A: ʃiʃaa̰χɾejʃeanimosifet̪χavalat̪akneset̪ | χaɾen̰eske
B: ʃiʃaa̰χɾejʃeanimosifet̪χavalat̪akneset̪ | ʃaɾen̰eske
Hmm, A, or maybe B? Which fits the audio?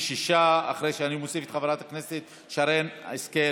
B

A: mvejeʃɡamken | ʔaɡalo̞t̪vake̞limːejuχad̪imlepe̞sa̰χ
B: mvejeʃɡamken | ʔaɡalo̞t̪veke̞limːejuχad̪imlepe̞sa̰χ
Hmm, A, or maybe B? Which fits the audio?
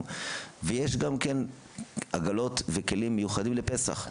B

